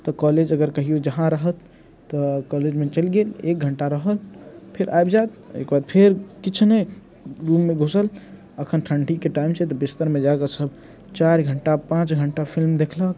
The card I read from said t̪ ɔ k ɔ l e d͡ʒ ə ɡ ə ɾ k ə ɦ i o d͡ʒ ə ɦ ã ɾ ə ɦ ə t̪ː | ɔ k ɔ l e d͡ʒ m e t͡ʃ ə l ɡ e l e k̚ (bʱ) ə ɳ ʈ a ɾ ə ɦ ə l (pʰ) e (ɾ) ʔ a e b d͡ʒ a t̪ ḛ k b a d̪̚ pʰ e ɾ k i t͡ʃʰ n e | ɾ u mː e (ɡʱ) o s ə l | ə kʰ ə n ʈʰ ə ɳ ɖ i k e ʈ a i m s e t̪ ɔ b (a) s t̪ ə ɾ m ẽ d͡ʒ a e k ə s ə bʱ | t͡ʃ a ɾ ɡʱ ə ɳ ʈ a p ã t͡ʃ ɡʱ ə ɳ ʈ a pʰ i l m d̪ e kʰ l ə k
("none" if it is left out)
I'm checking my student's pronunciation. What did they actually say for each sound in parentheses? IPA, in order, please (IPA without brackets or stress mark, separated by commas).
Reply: ɡʱ, pʰ, ɾ, ɡʱ, i